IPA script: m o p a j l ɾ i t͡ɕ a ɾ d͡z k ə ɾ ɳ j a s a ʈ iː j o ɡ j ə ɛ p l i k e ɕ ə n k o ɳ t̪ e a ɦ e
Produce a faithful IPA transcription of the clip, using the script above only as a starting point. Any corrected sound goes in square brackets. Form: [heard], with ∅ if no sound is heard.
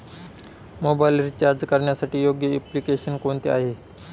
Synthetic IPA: m o [b] a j l ɾ i t͡ɕ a ɾ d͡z k ə ɾ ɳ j a s a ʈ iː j o ɡ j ə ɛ p l i k e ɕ ə n k o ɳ t̪ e a ɦ e

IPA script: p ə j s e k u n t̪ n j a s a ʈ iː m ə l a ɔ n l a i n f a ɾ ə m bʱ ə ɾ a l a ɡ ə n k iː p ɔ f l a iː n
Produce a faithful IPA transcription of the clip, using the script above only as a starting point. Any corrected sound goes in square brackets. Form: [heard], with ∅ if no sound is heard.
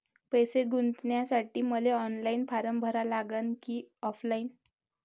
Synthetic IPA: p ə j s e [ɡ] u n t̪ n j a s a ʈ iː m ə l [e] ɔ n l a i n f a ɾ ə m bʱ ə ɾ a l a ɡ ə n k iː [∅] ɔ f l a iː n

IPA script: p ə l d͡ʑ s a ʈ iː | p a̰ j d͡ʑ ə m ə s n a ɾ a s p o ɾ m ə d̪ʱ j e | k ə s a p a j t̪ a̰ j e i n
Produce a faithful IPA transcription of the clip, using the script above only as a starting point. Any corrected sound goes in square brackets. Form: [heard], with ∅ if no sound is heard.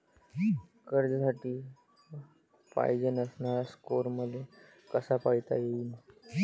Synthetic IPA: [k] ə [ɾ] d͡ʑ s a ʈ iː | p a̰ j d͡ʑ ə [n] ə s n a ɾ a s [k] o ɾ m ə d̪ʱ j e | k ə s a p a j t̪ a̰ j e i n

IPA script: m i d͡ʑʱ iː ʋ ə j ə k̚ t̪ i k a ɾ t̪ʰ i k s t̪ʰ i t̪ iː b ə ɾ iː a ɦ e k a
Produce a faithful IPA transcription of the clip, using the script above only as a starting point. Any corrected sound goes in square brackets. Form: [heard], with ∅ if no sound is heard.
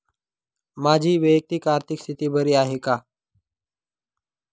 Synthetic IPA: m [a] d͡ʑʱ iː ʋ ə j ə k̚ t̪ i k a ɾ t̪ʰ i k s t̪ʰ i t̪ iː b ə ɾ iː a ɦ e k a

